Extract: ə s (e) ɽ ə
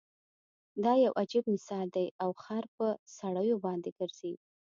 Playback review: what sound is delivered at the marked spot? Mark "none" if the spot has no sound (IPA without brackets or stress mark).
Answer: a